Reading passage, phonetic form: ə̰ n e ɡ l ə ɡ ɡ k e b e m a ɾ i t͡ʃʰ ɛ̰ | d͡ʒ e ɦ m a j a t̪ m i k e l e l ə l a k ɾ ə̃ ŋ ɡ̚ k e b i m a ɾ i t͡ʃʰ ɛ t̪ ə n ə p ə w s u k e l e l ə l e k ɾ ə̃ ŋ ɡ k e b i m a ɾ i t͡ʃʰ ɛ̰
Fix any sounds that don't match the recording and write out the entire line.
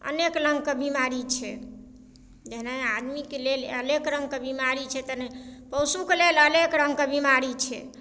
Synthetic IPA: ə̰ n e k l ə ŋ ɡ k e b i m a ɾ i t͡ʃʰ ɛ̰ | d͡ʒ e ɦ n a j a d̪ m i k e l e l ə l e k ɾ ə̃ ŋ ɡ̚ k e b i m a ɾ i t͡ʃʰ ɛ t̪ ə n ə p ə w s u k e l e l ə l e k ɾ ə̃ ŋ ɡ k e b i m a ɾ i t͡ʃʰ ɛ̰

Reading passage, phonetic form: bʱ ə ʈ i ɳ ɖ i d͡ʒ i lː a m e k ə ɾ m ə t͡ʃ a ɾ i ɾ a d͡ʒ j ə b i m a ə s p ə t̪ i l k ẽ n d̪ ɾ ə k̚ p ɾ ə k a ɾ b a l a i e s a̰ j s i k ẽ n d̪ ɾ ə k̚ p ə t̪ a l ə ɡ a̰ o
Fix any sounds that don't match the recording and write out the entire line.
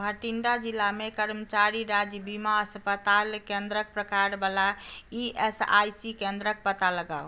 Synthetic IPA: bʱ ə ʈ i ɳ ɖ a d͡ʒ i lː a m e k ə ɾ m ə t͡ʃ a ɾ i ɾ a d͡ʒ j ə b i m a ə s p ə t̪ a l k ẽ n d̪ ɾ ə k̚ p ɾ ə k a ɾ b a l a i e s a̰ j s i k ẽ n d̪ ɾ ə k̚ p ə t̪ a l ə ɡ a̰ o

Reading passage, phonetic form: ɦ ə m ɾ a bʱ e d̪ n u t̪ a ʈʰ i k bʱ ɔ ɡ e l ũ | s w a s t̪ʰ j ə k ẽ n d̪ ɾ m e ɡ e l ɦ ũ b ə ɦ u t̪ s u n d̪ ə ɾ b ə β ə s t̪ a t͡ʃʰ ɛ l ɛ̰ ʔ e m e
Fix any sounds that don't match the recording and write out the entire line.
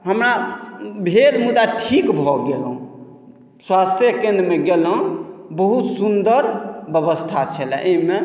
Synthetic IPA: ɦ ə m ɾ a bʱ e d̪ m u d̪ a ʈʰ i k bʱ ɔ ɡ e l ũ | s w a s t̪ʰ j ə k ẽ n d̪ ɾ m e ɡ e l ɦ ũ b ə ɦ u t̪ s u n d̪ ə ɾ b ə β ə s t̪ʰ a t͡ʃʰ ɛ l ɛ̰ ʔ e m e

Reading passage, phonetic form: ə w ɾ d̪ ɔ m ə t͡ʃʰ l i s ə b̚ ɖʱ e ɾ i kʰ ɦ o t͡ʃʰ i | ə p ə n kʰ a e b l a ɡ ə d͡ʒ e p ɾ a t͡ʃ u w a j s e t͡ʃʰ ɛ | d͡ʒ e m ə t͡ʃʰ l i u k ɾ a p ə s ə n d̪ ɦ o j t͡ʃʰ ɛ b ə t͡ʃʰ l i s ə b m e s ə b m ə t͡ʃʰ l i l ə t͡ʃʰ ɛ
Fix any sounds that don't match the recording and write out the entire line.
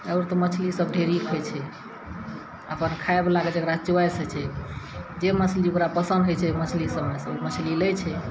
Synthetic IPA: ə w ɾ t̪ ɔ m ə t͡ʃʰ l i s ə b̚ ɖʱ e ɾ i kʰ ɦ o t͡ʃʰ ɛ | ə p ə n kʰ a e b l a ɡ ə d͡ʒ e k ɾ a t͡ʃ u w a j s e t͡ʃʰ ɛ | d͡ʒ e m ə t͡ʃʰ l i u k ɾ a p ə s ə n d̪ ɦ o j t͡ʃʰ ɛ m ə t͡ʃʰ l i s ə b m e s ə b m ə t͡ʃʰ l i l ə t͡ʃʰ ɛ

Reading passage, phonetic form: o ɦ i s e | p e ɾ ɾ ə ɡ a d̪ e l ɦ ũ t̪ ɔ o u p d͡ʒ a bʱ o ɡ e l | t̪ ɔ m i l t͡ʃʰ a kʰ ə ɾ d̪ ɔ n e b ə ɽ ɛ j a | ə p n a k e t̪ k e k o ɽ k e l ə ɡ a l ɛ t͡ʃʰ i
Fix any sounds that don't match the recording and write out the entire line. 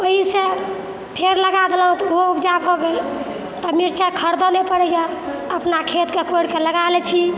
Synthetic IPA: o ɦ i s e | pʰ e ɾ l ə ɡ a d̪ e l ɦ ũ t̪ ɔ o u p d͡ʒ a bʱ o ɡ e l | t̪ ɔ m i ɾ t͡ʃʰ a kʰ ə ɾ d̪ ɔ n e p ə ɽ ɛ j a | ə p n a kʰ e t̪ k e k o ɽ k e l ə ɡ a l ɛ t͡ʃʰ i

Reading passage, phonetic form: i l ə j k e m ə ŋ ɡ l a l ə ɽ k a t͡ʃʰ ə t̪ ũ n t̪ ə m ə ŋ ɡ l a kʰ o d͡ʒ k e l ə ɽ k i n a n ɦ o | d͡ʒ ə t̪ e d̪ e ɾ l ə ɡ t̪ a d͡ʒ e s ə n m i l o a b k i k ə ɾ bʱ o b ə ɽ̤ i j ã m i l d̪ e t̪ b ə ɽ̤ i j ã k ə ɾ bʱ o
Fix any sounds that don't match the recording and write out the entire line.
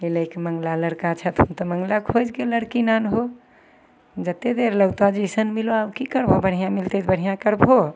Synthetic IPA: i l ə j k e m ə ŋ ɡ l a l ə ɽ k a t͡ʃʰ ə t̪ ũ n t̪ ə m ə ŋ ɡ l a kʰ o d͡ʒ k e l ə ɽ k i n a n ɦ o | d͡ʒ ə t̪ e d̪ e ɾ l ə ɡ t̪ a d͡ʒ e s ə n m i l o a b k i k ə ɾ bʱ o b ə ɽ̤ i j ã m i l t̪ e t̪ b ə ɽ̤ i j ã k ə ɾ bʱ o

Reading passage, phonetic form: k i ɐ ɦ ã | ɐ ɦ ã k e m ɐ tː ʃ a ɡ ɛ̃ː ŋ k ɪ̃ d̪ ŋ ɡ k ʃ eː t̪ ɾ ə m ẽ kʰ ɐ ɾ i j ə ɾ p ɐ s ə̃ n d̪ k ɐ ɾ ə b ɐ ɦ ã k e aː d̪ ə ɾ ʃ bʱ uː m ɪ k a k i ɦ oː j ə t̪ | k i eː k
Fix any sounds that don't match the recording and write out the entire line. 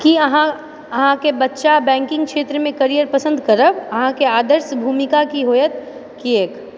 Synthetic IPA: k i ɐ ɦ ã | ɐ ɦ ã k e b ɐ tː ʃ a b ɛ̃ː ŋ k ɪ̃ ŋ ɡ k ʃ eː t̪ ɾ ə m ẽ k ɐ ɾ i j ə ɾ p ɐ s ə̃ n d̪ k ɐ ɾ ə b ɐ ɦ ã k e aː d̪ ə ɾ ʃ bʱ uː m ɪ k a k i ɦ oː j ə t̪ | k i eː k

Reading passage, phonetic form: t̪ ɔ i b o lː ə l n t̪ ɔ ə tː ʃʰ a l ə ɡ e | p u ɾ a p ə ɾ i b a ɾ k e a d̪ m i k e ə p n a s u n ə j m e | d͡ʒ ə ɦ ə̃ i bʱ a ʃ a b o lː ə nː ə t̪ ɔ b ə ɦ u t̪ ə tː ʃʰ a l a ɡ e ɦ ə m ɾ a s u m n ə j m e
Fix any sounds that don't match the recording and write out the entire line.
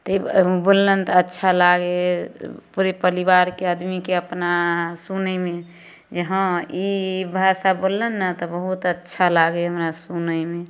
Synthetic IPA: t̪ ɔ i b o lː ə n t̪ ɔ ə tː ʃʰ a l a ɡ e | p u ɾ e p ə ɾ i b a ɾ k e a d̪ m i k e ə p n a s u n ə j m e | d͡ʒ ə ɦ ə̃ i bʱ a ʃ a b o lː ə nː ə t̪ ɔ b ə ɦ u t̪ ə tː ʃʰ a l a ɡ e ɦ ə m ɾ a s u n ə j m e

